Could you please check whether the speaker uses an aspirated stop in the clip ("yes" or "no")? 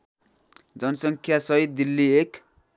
yes